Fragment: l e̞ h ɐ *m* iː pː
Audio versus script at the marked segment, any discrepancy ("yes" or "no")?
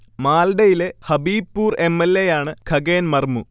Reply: yes